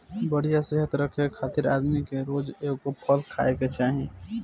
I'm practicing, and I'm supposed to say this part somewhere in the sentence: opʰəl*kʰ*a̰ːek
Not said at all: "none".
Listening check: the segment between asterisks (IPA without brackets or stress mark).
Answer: kʰ